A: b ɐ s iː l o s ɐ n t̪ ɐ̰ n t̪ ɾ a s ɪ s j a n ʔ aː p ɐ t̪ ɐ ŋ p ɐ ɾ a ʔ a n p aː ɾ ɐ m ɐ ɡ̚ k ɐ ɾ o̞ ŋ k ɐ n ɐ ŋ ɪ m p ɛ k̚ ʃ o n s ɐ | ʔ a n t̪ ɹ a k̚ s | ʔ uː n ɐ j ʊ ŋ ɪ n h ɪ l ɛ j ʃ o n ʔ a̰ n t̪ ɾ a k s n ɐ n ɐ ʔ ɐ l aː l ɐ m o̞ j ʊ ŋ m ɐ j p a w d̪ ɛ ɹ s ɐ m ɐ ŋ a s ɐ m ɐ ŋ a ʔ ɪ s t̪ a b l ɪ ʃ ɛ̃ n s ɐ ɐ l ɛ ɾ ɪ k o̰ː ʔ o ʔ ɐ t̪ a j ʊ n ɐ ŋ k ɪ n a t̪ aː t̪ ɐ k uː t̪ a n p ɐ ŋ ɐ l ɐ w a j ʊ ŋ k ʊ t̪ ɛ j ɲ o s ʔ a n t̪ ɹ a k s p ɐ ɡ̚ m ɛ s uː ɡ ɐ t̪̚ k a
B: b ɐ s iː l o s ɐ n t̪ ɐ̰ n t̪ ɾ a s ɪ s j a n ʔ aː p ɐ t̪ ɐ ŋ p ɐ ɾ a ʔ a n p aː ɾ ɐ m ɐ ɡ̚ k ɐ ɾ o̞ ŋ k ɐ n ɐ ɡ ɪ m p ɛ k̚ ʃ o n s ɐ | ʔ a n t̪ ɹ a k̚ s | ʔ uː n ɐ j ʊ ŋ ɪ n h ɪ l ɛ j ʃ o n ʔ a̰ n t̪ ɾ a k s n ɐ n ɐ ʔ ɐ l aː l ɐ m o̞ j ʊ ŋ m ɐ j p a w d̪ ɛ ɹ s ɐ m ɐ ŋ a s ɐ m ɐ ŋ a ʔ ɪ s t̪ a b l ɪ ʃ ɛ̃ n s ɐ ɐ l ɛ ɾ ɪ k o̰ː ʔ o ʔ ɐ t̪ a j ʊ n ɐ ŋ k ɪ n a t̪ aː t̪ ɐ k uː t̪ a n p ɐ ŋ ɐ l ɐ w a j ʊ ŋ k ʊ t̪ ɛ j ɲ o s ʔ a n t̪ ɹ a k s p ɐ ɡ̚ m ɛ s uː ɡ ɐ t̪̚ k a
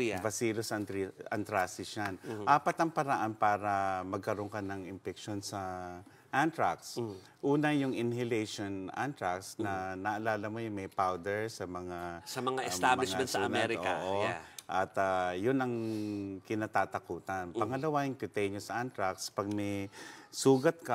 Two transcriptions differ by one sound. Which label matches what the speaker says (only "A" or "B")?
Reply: A